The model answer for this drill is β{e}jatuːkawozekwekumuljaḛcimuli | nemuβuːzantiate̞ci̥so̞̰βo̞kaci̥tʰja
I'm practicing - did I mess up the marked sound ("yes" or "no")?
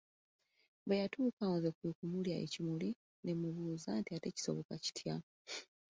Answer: no